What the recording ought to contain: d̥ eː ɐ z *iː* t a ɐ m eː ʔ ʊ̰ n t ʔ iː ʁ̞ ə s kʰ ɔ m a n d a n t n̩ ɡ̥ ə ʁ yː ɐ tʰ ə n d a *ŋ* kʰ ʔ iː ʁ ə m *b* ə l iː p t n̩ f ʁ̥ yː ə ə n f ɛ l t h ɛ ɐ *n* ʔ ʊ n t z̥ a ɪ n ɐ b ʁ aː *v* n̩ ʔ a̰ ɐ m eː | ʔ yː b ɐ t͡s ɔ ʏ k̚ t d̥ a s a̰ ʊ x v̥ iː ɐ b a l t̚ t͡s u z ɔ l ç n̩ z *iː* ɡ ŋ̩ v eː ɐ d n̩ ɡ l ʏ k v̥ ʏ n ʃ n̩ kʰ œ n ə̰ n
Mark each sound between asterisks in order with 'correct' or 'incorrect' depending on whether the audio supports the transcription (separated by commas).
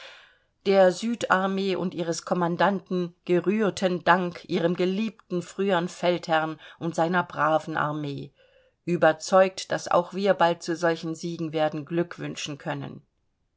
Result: incorrect, correct, incorrect, correct, correct, correct